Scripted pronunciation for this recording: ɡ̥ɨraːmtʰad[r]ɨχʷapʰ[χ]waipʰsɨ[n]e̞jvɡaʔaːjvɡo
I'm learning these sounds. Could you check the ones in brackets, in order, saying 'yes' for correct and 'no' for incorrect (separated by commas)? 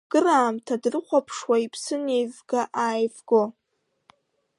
yes, no, yes